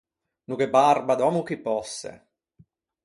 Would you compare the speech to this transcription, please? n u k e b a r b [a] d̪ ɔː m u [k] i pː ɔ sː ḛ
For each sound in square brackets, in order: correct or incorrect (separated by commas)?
correct, correct